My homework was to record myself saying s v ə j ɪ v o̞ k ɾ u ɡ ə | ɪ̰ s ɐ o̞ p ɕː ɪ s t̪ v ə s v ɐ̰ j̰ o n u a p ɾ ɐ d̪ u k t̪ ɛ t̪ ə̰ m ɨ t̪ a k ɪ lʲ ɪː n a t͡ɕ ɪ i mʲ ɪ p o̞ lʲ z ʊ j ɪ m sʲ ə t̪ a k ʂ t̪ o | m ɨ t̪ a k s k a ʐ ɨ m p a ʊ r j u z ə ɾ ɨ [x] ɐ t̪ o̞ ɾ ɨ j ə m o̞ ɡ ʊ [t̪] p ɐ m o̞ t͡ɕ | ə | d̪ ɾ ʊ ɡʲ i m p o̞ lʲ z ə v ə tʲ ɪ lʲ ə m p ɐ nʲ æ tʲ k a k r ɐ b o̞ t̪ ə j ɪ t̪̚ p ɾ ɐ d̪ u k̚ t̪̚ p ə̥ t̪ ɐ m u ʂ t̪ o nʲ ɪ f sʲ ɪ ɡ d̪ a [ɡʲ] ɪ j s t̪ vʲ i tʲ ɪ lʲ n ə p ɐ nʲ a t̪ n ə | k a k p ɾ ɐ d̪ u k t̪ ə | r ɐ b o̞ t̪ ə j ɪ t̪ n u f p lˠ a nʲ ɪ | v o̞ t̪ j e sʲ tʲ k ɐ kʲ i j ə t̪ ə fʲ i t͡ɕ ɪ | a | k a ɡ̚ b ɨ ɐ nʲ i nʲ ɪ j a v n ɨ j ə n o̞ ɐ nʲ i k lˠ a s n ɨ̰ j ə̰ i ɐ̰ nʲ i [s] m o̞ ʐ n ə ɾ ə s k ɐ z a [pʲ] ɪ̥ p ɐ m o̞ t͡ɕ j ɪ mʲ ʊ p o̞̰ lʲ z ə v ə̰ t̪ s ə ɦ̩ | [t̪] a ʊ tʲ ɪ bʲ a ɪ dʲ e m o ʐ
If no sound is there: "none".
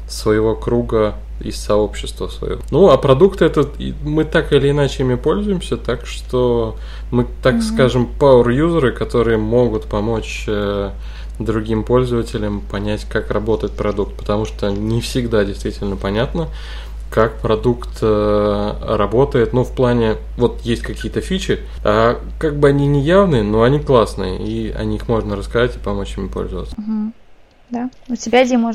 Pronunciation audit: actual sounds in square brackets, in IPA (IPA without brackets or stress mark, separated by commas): k, t̪, dʲ, x, tʲ, d̪